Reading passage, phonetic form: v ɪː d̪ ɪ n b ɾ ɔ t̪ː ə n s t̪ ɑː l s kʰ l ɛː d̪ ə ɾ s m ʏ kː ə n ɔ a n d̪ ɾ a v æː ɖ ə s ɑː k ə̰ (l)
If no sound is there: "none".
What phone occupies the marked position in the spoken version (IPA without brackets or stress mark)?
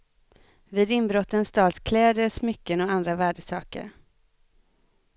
ɾ